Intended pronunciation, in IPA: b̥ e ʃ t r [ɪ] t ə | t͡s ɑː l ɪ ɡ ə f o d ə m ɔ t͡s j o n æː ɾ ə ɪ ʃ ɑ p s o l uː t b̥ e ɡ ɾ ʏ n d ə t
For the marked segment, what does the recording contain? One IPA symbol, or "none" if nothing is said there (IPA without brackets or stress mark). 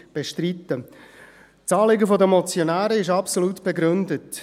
i